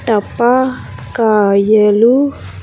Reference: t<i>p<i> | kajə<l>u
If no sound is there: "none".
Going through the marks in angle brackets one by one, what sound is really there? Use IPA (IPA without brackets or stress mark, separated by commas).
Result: a, a, l